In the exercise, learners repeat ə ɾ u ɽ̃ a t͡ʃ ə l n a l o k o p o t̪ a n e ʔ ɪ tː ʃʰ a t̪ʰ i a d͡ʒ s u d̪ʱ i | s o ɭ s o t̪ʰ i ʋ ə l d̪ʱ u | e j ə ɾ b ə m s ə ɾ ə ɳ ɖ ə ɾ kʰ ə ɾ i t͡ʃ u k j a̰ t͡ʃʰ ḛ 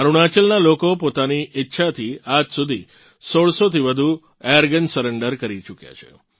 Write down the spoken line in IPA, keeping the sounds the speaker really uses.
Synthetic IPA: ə ɾ u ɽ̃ a t͡ʃ ə l n a l o k o p o t̪ a n i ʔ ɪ tː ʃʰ a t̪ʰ i a d͡ʒ s u d̪ʱ i | s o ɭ s o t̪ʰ i ʋ ə d̪ʱ u | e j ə ɾ ɡ ə n s ə ɾ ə ɳ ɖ ə ɾ k ə ɾ i t͡ʃ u k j a̰ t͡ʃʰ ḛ